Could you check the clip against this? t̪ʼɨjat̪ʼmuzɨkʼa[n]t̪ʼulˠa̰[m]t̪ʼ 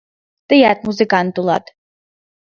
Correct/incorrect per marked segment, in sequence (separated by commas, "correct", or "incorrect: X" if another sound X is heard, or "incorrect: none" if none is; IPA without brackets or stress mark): correct, incorrect: none